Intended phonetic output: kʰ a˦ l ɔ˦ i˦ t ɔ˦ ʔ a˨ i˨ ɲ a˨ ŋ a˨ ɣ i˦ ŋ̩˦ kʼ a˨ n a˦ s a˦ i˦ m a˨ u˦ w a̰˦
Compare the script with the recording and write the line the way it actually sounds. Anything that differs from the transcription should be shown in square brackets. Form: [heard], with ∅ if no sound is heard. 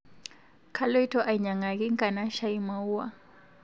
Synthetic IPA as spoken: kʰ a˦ l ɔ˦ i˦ t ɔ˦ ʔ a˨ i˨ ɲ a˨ ŋ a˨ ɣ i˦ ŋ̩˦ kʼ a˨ n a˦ [ʃ] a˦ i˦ m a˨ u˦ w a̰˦